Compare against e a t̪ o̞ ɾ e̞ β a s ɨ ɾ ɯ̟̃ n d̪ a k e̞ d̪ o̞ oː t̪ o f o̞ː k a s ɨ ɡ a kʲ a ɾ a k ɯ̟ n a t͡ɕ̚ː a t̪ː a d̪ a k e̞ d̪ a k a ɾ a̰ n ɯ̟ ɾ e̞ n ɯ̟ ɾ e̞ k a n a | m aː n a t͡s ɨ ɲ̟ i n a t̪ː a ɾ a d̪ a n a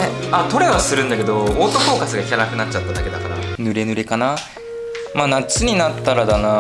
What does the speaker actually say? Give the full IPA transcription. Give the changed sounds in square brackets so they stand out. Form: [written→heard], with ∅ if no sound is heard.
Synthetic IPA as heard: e a t̪ o̞ ɾ e̞ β a s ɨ ɾ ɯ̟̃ n d̪ a k e̞ d̪ o̞ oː t̪ o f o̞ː k a s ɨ ɡ a kʲ a ɾ a k ɯ̟ n a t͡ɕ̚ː a t̪ː a d̪ a k e̞ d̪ a k a ɾ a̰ n ɯ̟ ɾ e̞ n ɯ̟ ɾ e̞ k a n a | m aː n a t͡s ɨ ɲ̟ i n a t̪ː a ɾ a d̪ a n a

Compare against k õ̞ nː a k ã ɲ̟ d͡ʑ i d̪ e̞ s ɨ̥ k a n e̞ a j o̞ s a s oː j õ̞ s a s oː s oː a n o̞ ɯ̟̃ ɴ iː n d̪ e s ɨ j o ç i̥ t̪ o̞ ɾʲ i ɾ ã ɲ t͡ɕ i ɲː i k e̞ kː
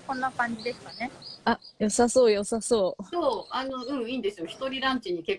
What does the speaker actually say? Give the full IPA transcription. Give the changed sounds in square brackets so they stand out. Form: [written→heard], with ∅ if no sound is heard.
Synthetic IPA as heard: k õ̞ nː a k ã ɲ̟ d͡ʑ i d̪ e̞ s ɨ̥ k a n e̞ a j o̞ s a s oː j [õ̞→o̞] s a s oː s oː a n o̞ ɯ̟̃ ɴ iː n d̪ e s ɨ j o ç i̥ t̪ o̞ ɾʲ i ɾ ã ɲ t͡ɕ i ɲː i k e̞ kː

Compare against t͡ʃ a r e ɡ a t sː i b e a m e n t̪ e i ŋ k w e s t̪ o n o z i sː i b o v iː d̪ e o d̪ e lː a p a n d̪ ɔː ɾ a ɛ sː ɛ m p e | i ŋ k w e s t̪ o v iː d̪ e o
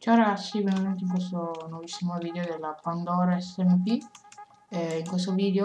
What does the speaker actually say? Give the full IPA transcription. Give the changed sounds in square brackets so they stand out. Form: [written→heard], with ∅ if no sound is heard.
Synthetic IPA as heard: t͡ʃ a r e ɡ a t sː i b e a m e n t̪ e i ŋ k w e s t̪ o n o [z→v] i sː i [b→m] o v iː d̪ e o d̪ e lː a p a n d̪ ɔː ɾ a ɛ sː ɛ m p [e→i] | i ŋ k w e s t̪ o v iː d̪ e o

